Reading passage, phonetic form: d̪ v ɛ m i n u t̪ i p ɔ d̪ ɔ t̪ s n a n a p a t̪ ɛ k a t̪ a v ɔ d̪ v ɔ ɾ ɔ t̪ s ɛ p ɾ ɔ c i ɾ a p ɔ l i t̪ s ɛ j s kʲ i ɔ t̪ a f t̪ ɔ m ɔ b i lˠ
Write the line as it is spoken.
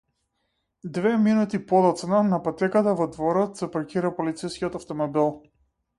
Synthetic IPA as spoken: d̪ v ɛ m i n u t̪ i p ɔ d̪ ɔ t̪ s n a n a p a t̪ ɛ k a t̪ a v ɔ d̪ v ɔ ɾ ɔ t̪ s ɛ p ɾ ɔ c i ɾ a p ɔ l i t̪ s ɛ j s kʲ i ɔ t̪ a f t̪ ɔ m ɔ b i lˠ